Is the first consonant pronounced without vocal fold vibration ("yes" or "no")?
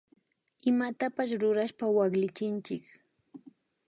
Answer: no